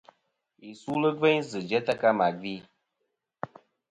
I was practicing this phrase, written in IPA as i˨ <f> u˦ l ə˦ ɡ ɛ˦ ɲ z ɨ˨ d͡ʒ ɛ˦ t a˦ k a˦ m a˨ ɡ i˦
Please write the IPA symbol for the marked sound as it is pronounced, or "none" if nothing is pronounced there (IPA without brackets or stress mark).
s